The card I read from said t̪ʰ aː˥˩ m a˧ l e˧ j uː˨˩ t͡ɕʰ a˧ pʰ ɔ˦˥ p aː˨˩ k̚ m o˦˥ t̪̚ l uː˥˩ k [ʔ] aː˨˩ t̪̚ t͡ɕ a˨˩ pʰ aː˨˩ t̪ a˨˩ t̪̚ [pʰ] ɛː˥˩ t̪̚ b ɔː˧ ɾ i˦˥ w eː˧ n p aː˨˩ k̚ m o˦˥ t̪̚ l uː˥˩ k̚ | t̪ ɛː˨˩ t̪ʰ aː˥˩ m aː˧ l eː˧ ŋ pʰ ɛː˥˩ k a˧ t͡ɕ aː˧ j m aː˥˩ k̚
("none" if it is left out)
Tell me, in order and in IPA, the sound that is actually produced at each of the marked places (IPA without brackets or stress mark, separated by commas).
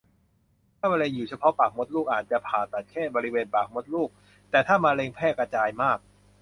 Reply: ʔ, kʰ